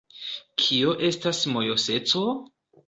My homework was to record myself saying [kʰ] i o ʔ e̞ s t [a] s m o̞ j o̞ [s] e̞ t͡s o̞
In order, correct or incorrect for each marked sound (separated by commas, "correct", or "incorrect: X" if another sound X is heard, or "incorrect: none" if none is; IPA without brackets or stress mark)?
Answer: correct, correct, correct